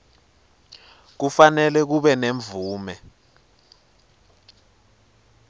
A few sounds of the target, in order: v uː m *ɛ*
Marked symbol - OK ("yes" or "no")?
yes